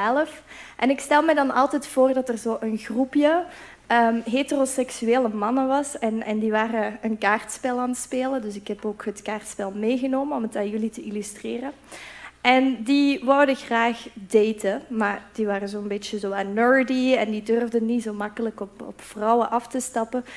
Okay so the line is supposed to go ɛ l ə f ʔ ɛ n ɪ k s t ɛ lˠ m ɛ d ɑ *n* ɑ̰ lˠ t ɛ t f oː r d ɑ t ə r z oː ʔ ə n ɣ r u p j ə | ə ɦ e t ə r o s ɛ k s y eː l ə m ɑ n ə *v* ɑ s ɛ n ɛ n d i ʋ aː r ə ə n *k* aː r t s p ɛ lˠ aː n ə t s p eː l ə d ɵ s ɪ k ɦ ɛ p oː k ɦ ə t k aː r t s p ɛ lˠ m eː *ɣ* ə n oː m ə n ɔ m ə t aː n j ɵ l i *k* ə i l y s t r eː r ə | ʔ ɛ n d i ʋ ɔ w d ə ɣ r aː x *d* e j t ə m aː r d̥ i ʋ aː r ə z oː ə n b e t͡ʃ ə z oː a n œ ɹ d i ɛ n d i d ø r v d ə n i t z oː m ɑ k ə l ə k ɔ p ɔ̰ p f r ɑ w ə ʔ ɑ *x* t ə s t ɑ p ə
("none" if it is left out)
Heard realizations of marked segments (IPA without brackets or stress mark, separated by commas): n, ʋ, k, ɣ, t, d, f